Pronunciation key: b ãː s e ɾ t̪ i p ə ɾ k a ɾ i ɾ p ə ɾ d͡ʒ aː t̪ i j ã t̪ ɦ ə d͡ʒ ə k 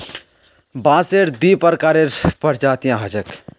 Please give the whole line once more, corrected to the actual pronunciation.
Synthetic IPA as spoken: b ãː s e ɾ d̪ i p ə ɾ k a ɾ e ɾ p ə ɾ d͡ʒ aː t̪ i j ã ɦ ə d͡ʒ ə k